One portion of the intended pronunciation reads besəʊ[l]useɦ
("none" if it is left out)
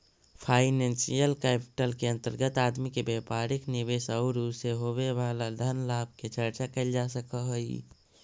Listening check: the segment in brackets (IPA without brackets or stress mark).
ɾ